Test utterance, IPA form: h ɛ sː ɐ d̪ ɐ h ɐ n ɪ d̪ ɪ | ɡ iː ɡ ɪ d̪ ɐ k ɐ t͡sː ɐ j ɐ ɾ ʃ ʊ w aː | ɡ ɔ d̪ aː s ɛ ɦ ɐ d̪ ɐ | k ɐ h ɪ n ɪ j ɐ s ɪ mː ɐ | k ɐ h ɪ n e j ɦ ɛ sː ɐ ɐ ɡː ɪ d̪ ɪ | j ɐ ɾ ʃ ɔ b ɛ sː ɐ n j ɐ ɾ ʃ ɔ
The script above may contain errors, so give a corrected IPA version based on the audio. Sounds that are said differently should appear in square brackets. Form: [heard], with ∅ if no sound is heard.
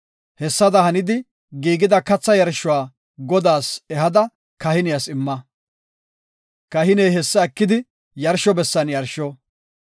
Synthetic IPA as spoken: h ɛ sː ɐ d̪ ɐ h ɐ n ɪ d̪ ɪ | ɡ iː ɡ ɪ d̪ ɐ k ɐ t͡sː ɐ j ɐ ɾ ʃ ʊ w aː | ɡ ɔ d̪ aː s ɛ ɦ ɐ d̪ ɐ | k ɐ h ɪ n ɪ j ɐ s ɪ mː ɐ | k ɐ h ɪ n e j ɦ ɛ sː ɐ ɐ [kː] ɪ d̪ ɪ | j ɐ ɾ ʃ ɔ b ɛ sː ɐ n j ɐ ɾ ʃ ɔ